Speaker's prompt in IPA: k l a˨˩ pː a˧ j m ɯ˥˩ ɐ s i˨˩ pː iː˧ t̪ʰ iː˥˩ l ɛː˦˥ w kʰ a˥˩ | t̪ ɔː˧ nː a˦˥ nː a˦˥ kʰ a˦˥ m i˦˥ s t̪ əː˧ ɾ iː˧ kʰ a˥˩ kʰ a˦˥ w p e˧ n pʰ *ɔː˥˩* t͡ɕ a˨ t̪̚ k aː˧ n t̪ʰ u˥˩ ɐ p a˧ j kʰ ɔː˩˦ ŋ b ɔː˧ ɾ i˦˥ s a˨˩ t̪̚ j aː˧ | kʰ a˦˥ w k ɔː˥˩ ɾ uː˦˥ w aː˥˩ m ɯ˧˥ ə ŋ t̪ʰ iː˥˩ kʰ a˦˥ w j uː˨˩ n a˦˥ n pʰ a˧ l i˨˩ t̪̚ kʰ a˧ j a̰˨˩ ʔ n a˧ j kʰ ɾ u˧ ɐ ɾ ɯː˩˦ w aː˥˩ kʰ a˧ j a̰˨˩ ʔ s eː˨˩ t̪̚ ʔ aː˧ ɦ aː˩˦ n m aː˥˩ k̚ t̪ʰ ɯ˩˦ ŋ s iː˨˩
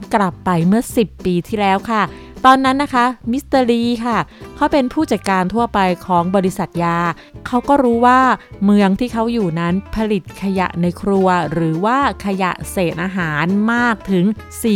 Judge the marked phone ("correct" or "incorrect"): incorrect